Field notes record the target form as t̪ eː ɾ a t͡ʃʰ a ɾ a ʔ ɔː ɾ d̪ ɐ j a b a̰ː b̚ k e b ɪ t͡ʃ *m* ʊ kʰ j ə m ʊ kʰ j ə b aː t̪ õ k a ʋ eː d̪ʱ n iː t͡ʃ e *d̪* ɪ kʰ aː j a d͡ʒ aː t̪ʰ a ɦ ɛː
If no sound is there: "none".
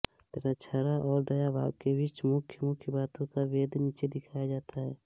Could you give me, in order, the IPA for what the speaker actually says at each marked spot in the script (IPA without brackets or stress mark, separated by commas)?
m, d̪